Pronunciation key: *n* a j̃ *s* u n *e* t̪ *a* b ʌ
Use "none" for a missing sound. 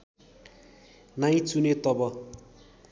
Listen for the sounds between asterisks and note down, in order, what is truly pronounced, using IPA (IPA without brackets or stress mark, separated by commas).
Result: n, t͡s, e, ʌ